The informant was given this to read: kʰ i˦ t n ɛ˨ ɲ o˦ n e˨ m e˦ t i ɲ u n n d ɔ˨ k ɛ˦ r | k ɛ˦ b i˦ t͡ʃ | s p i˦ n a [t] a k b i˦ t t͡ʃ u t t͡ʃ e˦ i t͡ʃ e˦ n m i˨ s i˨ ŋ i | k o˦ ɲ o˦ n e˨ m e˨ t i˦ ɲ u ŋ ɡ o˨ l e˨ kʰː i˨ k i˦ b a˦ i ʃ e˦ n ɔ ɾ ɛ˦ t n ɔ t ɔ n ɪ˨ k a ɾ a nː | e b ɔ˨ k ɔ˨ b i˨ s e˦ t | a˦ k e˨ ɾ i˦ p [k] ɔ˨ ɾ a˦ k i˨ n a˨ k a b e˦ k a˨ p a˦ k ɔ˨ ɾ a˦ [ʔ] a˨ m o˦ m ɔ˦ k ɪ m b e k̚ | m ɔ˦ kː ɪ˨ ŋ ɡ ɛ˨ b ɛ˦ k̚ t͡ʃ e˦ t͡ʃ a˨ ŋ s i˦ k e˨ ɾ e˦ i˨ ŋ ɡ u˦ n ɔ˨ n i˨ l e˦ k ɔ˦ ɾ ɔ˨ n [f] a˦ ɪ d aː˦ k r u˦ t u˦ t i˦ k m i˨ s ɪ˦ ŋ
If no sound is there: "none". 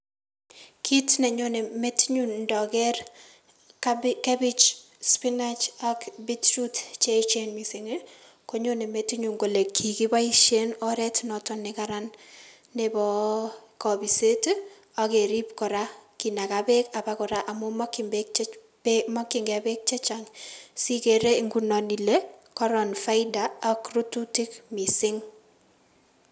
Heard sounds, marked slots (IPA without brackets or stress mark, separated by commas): t͡ʃ, k, ʔ, f